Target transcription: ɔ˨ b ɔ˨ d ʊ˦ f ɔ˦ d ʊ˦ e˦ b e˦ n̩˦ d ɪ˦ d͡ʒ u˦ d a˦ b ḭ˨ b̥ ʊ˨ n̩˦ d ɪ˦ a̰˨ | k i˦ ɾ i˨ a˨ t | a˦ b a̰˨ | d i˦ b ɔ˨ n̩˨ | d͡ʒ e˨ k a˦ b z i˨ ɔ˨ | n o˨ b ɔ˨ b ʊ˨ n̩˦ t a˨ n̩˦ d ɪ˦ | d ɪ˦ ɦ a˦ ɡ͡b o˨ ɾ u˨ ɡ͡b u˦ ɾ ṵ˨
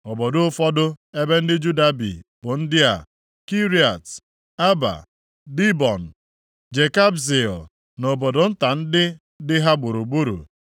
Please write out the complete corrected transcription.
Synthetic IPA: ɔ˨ b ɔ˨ d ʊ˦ f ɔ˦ d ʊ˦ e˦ b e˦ n̩˦ d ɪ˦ d͡ʒ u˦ d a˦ b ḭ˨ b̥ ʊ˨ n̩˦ d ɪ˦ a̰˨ | k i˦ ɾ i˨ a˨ t | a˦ b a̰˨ | d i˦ b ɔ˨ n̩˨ | d͡ʒ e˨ k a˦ b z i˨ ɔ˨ | n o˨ b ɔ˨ d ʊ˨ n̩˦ t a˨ n̩˦ d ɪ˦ | d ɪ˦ ɦ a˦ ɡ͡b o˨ ɾ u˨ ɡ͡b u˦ ɾ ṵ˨

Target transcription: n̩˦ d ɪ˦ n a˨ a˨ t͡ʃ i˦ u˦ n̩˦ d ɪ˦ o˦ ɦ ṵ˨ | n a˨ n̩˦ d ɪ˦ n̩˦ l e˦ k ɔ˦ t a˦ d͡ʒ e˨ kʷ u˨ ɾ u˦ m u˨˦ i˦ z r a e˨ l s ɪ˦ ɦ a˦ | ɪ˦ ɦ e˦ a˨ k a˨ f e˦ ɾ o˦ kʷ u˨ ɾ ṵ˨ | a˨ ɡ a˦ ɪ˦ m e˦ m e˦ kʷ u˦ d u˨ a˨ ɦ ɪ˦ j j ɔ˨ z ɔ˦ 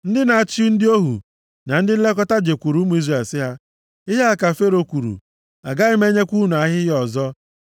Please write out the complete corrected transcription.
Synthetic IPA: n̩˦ d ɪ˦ n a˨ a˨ t͡ʃ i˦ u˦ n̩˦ d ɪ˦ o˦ ɦ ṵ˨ | n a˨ n̩˦ d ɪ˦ n̩˦ l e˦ k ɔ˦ t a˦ d͡ʒ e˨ kʷ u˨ ɾ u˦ m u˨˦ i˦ z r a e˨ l s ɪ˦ ɦ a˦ | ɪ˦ ɦ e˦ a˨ k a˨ f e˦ ɾ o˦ kʷ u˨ ɾ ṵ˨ | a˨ ɡ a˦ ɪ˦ m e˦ ɲ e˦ kʷ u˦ n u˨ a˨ ɦ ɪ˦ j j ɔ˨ z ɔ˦

